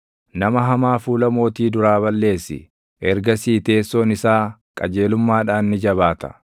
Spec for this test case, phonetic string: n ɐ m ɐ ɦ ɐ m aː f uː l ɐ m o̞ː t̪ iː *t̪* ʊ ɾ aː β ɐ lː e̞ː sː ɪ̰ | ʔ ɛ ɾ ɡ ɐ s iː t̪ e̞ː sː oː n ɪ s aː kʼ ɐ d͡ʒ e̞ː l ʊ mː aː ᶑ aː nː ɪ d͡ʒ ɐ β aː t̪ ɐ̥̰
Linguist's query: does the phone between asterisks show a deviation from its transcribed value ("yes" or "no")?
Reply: yes